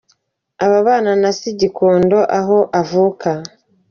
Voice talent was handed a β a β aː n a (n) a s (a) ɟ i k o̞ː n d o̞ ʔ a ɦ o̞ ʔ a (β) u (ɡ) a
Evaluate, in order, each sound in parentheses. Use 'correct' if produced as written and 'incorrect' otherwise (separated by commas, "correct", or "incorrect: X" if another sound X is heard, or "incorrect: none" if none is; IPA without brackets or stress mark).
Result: correct, incorrect: i, incorrect: v, incorrect: k